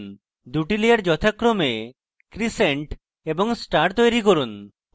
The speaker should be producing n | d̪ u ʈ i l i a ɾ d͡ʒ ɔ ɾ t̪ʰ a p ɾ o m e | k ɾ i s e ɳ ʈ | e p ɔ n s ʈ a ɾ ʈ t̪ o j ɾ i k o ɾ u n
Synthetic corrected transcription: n | d̪ u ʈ i l i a ɾ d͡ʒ ɔ t̪ʰ a k ɾ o m e | k ɾ i s e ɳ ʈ | e b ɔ ŋ s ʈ a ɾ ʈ t̪ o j ɾ i k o ɾ u n